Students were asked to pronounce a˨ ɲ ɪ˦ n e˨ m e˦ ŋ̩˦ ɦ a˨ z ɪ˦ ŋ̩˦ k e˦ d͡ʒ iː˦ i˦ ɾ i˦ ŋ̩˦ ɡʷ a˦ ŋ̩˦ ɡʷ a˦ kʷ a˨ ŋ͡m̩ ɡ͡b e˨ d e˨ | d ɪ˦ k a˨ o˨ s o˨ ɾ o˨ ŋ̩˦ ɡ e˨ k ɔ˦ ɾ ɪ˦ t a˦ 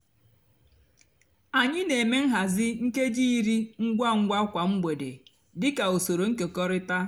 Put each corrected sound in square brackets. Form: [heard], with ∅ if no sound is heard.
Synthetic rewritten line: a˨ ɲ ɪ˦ n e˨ m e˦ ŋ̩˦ ɦ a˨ z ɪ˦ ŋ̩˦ k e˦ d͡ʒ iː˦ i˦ ɾ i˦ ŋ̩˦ ɡʷ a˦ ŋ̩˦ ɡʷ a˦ kʷ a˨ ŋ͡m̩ ɡ͡b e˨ d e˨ | d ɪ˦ k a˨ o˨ s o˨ ɾ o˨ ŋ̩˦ [k] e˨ k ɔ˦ ɾ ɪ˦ t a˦